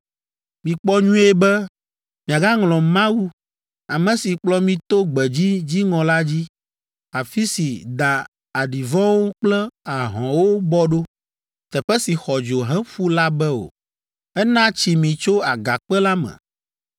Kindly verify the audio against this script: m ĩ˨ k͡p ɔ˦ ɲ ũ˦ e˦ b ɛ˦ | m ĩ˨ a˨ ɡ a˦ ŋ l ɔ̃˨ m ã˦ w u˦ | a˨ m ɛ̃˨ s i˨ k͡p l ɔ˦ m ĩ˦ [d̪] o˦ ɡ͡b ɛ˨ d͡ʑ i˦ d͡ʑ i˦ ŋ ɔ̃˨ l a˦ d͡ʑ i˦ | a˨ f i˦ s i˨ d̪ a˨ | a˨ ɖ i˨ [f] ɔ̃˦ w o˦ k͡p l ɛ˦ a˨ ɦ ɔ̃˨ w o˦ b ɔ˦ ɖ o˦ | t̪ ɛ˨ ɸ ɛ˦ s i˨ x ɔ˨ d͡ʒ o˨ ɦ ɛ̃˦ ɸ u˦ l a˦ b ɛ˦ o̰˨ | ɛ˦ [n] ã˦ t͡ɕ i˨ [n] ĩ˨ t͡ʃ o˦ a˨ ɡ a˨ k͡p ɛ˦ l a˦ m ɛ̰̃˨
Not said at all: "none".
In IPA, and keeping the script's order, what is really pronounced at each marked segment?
t̪, v, n, m

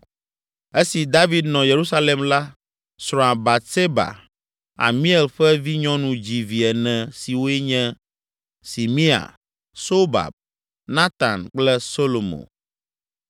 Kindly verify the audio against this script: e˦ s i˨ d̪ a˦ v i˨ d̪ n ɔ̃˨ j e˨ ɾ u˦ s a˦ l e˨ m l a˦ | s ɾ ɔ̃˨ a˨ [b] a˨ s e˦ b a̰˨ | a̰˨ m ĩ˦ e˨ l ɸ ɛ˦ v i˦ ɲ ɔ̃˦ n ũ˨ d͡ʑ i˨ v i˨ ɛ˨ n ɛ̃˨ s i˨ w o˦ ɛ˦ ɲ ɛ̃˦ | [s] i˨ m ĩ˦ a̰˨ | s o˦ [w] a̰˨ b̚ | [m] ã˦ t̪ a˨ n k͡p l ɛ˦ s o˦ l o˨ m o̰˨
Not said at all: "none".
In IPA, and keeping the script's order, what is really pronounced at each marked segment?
b, s, b, n

